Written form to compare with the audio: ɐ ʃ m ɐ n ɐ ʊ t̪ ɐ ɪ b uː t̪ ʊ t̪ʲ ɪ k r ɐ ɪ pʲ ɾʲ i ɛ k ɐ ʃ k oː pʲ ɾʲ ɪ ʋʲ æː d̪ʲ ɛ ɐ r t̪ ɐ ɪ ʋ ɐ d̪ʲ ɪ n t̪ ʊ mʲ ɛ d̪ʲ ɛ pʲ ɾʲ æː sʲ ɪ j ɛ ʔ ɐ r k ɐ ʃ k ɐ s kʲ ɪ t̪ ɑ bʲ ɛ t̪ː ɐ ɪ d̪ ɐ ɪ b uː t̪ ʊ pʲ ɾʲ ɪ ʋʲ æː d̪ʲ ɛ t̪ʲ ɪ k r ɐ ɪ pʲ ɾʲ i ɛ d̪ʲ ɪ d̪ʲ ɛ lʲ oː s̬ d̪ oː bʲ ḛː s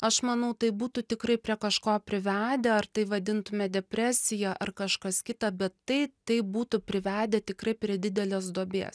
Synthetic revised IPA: ɐ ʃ m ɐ n ɐ ʊ t̪ ɐ ɪ b uː t̪ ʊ t̪ʲ ɪ k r ɐ ɪ pʲ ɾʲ i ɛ k ɐ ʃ k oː pʲ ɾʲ ɪ ʋʲ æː d̪ʲ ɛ ɐ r t̪ ɐ ɪ ʋ ɐ d̪ʲ ɪ n t̪ ʊ mʲ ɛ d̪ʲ ɛ pʲ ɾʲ æː sʲ ɪ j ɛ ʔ ɐ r k ɐ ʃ k ɐ s kʲ ɪ t̪ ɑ bʲ ɛ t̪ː ɐ ɪ t̪ ɐ ɪ b uː t̪ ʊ pʲ ɾʲ ɪ ʋʲ æː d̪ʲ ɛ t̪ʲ ɪ k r ɐ ɪ pʲ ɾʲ i ɛ d̪ʲ ɪ d̪ʲ ɛ lʲ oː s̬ d̪ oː bʲ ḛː s